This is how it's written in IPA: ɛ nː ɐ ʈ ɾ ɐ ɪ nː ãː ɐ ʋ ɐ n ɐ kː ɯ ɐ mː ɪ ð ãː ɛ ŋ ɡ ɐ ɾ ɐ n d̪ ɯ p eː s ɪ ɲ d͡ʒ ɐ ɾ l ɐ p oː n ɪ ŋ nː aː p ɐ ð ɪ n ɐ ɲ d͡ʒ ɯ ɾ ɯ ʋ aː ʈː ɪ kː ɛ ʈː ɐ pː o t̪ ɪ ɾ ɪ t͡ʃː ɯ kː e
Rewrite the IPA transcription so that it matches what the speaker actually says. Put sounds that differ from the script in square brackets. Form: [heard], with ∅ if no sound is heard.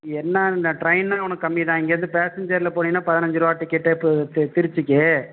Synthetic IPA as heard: ɛ nː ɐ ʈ ɾ ɐ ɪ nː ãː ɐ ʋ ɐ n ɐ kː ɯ ɐ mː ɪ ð ãː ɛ ŋ ɡ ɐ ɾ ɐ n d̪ ɯ p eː s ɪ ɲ d͡ʒ ɐ ɾ l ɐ p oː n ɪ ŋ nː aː p ɐ ð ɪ n ɐ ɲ d͡ʒ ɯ ɾ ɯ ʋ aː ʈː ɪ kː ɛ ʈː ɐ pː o t̪ ɪ ɾ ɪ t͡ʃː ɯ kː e